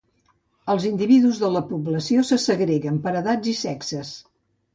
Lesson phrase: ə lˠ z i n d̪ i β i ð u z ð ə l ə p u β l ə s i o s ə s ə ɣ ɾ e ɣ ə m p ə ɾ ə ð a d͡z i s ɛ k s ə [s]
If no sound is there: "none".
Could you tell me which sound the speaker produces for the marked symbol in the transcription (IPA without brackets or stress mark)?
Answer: s